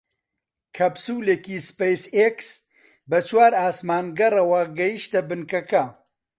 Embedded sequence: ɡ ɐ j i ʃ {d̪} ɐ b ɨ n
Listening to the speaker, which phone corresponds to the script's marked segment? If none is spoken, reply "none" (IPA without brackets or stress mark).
t̪